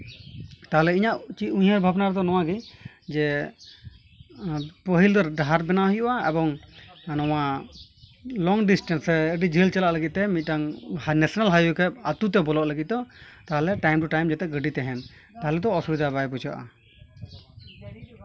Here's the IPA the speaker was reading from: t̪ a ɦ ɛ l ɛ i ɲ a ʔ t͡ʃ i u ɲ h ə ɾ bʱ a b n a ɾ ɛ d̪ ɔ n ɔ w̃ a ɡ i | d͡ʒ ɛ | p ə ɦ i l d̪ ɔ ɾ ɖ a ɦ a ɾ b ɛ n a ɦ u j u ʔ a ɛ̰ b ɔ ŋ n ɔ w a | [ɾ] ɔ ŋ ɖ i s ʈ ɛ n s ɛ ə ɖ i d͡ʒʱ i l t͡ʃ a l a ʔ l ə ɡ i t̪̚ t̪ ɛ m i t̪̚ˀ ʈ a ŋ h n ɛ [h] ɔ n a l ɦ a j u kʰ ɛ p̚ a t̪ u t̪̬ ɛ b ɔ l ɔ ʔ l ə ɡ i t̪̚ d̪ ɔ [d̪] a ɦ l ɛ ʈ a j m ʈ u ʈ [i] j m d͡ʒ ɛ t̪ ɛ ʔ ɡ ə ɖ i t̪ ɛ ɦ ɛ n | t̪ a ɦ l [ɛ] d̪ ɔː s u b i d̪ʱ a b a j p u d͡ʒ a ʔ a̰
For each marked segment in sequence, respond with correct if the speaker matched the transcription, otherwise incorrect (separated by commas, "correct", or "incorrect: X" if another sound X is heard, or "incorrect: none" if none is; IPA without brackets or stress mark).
incorrect: l, incorrect: s, incorrect: t̪, incorrect: a, correct